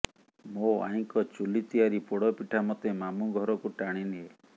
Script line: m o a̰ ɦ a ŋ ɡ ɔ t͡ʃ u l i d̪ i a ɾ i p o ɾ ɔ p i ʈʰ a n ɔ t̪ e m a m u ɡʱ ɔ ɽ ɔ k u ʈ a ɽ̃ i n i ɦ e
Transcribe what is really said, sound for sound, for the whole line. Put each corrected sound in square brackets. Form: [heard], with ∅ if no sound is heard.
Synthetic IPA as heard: m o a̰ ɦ [i] ŋ [k] ɔ t͡ʃ u l i [t̪] i a ɾ i p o [ɽ] ɔ p i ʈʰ a [m] ɔ t̪ e m a m u ɡʱ ɔ [ɾ] ɔ k u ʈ a ɽ̃ i n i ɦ e